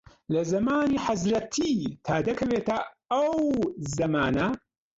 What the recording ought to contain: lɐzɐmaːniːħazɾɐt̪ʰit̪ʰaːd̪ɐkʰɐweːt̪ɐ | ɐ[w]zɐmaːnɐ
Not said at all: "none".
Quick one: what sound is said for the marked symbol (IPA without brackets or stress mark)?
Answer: w